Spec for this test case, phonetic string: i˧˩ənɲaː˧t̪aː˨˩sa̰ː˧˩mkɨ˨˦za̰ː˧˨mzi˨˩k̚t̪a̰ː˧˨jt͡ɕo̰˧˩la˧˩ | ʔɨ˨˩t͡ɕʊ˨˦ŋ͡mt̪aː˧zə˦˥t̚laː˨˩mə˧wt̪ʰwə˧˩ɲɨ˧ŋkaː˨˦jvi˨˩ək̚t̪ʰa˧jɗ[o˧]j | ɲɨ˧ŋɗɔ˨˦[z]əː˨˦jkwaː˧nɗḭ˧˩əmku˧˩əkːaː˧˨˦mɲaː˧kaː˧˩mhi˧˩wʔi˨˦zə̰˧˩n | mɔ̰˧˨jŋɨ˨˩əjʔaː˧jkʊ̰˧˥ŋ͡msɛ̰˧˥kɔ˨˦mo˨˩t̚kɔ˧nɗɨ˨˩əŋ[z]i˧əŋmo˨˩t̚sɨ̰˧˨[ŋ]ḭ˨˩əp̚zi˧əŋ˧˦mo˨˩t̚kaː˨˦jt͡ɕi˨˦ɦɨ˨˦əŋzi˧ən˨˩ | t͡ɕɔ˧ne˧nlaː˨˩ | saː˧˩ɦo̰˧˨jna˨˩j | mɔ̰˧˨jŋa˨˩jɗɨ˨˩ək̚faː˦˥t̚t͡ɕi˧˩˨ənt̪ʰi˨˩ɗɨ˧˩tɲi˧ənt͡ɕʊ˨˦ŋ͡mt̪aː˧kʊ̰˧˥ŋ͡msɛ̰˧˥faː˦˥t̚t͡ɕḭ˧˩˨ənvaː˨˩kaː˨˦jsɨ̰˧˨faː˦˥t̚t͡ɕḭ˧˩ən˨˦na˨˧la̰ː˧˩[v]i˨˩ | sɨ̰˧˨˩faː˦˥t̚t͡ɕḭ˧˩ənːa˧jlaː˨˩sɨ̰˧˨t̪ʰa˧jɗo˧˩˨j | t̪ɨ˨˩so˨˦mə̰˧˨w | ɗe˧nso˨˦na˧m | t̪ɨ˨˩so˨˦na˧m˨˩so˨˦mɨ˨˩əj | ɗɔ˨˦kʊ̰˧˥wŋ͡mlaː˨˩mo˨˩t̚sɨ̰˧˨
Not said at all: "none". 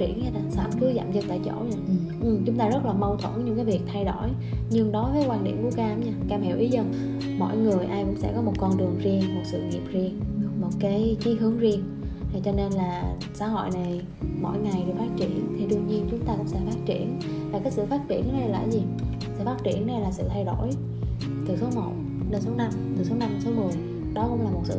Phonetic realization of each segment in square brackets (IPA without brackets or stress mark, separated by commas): o˧˩, v, z, ŋ, z